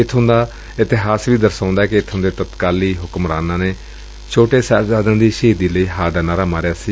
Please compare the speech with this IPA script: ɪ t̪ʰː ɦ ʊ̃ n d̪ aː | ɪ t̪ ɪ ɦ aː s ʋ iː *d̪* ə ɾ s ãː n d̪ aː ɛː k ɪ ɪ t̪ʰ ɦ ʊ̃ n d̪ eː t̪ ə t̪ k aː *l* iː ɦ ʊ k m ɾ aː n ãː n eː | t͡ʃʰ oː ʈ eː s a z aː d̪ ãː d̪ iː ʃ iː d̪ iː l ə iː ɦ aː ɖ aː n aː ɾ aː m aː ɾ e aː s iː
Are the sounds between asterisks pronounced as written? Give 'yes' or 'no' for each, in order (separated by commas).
yes, yes